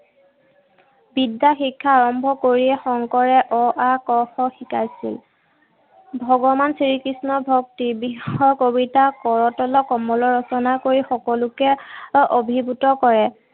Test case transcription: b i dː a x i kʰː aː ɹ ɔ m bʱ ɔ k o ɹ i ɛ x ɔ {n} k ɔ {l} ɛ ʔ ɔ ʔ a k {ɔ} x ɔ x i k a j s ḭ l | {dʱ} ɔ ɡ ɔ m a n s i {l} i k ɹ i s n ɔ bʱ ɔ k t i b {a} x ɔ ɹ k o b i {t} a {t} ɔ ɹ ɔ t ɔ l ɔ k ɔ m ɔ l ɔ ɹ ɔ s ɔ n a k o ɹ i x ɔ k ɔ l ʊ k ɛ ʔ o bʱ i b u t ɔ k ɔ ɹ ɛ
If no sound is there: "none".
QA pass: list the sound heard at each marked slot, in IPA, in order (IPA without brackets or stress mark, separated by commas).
ŋ, ɹ, ɔ, bʱ, ɹ, i, t, k